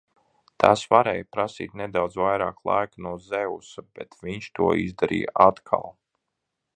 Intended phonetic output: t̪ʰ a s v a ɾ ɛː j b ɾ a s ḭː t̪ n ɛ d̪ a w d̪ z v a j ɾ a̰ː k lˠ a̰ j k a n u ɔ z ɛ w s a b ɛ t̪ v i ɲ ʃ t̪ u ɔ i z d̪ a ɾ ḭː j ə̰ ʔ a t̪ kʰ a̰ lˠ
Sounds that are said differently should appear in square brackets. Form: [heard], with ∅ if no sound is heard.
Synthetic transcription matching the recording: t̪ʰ a s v a ɾ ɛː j [p] ɾ a s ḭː t̪ n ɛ d̪ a w d̪ z v a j ɾ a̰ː k lˠ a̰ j k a n u ɔ z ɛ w s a b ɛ t̪ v i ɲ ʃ t̪ u ɔ i z d̪ a ɾ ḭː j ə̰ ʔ a t̪ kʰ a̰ lˠ